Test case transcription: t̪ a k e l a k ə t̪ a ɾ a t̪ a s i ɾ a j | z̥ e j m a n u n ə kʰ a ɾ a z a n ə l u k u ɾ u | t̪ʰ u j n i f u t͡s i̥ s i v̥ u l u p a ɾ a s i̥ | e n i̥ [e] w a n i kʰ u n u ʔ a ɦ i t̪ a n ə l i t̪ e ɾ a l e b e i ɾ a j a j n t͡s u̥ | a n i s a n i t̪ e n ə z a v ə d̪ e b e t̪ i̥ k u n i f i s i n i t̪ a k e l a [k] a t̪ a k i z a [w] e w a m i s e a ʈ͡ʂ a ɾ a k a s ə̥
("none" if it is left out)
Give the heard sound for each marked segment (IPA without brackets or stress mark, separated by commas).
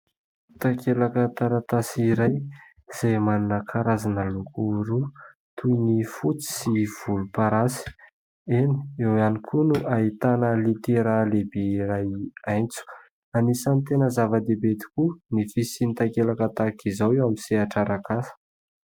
e, k, w